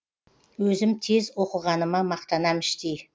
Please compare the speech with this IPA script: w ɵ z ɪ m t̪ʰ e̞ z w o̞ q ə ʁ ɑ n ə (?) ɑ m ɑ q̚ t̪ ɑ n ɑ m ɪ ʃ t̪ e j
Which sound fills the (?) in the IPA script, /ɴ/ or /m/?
m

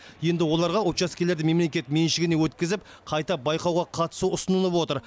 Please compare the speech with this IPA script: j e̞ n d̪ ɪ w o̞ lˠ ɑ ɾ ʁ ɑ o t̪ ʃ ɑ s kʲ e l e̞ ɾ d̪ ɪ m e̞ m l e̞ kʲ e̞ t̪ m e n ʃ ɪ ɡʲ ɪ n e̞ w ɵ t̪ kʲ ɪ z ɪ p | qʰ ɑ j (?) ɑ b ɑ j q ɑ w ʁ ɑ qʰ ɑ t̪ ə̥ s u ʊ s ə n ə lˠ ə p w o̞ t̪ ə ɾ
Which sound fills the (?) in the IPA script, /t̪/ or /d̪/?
t̪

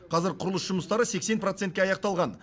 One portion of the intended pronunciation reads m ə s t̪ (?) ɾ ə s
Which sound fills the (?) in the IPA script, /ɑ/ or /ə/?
ɑ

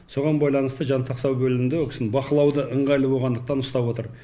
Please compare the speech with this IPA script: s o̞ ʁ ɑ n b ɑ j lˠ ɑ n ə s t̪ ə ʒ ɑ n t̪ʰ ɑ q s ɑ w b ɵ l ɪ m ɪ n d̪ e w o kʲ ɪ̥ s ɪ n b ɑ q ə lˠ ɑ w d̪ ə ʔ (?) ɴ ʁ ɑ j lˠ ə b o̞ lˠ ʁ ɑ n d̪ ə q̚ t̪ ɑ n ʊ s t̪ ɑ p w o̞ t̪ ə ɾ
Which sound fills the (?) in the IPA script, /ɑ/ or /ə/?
ə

